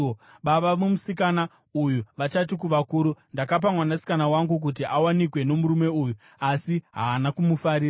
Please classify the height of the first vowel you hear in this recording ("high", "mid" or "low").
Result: low